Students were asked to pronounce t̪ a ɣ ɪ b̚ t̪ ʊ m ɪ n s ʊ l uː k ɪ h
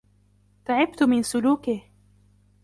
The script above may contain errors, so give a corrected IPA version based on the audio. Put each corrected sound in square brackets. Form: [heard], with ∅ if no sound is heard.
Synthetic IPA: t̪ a [ʕ] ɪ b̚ t̪ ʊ m ɪ n s ʊ l uː k ɪ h